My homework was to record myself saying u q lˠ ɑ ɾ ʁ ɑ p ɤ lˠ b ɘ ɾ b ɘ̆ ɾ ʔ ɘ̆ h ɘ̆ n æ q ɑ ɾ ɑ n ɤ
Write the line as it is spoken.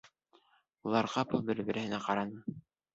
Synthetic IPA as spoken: u lˠ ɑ ɾ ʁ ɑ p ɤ lˠ b ɘ ɾ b ɘ̆ ɾ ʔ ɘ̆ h ɘ̆ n æ q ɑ ɾ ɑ n ɤ